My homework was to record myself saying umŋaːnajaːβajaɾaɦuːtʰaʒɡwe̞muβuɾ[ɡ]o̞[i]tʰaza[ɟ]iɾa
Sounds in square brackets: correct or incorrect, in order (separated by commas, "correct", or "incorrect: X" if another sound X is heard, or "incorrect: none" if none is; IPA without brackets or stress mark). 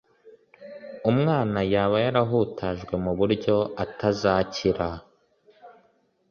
incorrect: ɟ, incorrect: a, incorrect: c